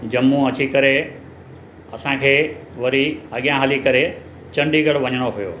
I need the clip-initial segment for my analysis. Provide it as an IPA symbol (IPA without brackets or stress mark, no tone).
d͡ʑ